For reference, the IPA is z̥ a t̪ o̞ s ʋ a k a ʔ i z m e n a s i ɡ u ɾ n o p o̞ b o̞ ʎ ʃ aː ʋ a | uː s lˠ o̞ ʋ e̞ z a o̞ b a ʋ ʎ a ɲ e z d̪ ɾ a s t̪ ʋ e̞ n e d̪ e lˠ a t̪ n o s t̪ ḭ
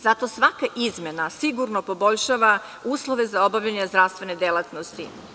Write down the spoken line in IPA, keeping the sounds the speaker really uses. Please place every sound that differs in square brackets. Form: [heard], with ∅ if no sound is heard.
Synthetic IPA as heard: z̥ a t̪ o̞ s ʋ a k a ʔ i z m e n a s i ɡ u ɾ n o p o̞ b o̞ ʎ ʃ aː ʋ a | uː s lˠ o̞ ʋ e̞ z a o̞ b a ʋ ʎ a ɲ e z d̪ ɾ a s t̪ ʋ e̞ n e d̪ e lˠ a t̪ n o s t̪ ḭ